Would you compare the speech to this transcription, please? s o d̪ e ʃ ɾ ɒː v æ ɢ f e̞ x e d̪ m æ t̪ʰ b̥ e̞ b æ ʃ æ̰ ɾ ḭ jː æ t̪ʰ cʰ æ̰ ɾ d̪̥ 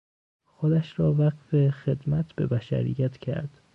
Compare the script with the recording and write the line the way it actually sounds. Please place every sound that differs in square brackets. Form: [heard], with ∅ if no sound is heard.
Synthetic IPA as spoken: [x] o d̪ [æ] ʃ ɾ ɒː v æ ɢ f e̞ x e d̪ m æ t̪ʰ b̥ e̞ b æ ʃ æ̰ ɾ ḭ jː æ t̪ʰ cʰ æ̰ ɾ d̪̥

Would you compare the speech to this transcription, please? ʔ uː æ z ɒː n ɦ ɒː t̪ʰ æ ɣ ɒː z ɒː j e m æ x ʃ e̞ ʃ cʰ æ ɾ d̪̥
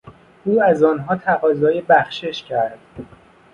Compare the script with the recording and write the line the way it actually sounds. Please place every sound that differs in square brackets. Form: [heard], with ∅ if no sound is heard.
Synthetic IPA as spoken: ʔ uː æ z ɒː n ɦ ɒː t̪ʰ æ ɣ ɒː z ɒː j e [b] æ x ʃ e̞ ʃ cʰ æ ɾ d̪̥

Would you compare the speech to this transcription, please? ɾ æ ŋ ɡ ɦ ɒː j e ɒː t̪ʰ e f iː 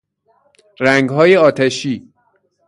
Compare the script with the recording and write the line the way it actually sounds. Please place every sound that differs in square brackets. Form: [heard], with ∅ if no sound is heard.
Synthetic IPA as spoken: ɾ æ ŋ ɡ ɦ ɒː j e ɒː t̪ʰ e [ʃ] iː

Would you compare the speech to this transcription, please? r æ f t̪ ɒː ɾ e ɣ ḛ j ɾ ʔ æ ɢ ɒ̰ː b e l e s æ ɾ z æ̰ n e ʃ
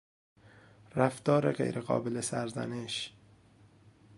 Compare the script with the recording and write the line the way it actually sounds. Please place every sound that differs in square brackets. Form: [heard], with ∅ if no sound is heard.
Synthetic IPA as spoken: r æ f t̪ ɒː ɾ e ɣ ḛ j ɾ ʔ [e] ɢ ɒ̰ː b e l e s æ ɾ z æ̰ n e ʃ

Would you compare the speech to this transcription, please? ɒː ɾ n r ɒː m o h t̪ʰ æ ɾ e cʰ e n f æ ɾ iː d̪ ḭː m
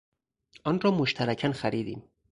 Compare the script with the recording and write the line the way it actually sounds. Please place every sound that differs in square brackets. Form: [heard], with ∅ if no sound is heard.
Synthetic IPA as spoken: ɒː [∅] n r ɒː m o [ʃ] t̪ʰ æ ɾ [æ] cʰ [æ] n [x] æ ɾ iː d̪ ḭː m

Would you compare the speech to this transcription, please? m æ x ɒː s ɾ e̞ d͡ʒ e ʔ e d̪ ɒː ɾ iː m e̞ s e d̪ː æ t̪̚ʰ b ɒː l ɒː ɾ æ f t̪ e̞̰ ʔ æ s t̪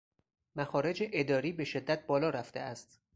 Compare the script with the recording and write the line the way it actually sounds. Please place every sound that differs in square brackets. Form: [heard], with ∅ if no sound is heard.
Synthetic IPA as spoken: m æ x ɒː [∅] ɾ e̞ d͡ʒ e ʔ e d̪ ɒː ɾ iː [b] e̞ [ʃ] e d̪ː æ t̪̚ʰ b ɒː l ɒː ɾ æ f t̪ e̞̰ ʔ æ s t̪

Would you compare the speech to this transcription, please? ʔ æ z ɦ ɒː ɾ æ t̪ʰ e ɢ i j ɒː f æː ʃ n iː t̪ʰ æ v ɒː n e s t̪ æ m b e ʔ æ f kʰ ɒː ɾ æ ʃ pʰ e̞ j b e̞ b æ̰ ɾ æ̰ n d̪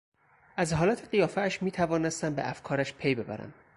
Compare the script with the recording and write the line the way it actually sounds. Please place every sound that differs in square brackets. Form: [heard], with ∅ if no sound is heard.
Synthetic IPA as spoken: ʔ æ z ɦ ɒː [l] æ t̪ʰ e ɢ i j ɒː f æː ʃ [m] iː t̪ʰ æ v ɒː n e s t̪ æ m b e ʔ æ f kʰ ɒː ɾ æ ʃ pʰ e̞ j b e̞ b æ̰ ɾ æ̰ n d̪

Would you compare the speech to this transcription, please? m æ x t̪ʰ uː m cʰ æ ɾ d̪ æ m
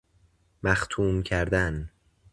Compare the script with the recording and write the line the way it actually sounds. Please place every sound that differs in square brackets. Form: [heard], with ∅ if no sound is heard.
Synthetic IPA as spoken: m æ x t̪ʰ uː m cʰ æ ɾ d̪ æ [n]

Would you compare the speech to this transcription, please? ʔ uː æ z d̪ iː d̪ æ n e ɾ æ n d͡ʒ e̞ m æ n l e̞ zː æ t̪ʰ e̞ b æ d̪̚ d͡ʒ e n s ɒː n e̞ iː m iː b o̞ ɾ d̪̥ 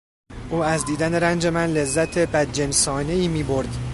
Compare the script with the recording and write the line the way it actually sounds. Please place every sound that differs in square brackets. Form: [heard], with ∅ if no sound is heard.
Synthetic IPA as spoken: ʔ uː æ z d̪ iː d̪ æ n e ɾ æ n d͡ʒ e̞ m æ n l e̞ zː æ t̪ʰ e̞ b æ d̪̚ d͡ʒ e n s ɒː n e̞ iː m iː b o̞ ɾ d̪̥

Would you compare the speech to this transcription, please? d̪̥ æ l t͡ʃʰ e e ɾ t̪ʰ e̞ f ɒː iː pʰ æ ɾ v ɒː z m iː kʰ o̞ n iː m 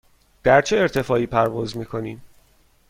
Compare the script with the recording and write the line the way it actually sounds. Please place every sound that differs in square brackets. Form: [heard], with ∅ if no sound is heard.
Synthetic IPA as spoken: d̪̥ æ [ɾ] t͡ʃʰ e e ɾ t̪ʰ e̞ f ɒː iː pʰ æ ɾ v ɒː z m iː kʰ o̞ n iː m

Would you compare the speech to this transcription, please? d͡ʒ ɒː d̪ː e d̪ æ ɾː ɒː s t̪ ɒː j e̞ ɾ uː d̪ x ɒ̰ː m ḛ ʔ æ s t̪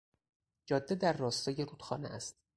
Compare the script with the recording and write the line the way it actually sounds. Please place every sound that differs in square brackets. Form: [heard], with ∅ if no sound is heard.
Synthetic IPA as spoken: d͡ʒ ɒː d̪ː e d̪ æ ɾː ɒː s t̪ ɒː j e̞ ɾ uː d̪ x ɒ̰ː [n] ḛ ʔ æ s t̪

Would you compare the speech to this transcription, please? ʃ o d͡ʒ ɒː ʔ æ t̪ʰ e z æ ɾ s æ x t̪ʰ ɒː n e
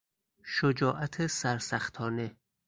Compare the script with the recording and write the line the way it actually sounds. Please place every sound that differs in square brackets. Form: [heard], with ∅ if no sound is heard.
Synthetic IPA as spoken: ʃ o d͡ʒ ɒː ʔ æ t̪ʰ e [s] æ ɾ s æ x t̪ʰ ɒː n e

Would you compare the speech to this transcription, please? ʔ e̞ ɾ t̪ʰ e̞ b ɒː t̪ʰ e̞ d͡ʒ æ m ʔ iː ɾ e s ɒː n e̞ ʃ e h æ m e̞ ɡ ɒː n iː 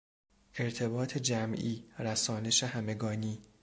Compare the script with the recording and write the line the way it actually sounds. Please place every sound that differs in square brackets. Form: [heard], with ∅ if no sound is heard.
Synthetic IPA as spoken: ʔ e̞ ɾ t̪ʰ e̞ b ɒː t̪ʰ e̞ d͡ʒ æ m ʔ iː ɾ [æ] s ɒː n e̞ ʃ e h æ m e̞ ɡ ɒː n iː

